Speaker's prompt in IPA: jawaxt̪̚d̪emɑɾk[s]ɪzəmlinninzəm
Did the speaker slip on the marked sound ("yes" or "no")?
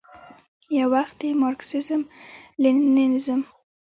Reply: no